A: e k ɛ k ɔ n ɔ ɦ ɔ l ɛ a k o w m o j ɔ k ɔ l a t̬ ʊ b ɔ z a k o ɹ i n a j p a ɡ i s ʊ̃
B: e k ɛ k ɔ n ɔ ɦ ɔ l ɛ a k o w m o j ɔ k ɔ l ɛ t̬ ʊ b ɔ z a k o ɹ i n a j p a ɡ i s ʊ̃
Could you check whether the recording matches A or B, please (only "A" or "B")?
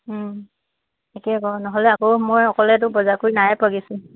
B